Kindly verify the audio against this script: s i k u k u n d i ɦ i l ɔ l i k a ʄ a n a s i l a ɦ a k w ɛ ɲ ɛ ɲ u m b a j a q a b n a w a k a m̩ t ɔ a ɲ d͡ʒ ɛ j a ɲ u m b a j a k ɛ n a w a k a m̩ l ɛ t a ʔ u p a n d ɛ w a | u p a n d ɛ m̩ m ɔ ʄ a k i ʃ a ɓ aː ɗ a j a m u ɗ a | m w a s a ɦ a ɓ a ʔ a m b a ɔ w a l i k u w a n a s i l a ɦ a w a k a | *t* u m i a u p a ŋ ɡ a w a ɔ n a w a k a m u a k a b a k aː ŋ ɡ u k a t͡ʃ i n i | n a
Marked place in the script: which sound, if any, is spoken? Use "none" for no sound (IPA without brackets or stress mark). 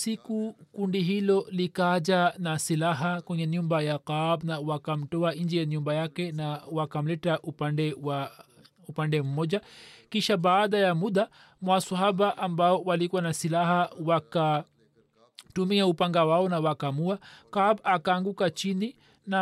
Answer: t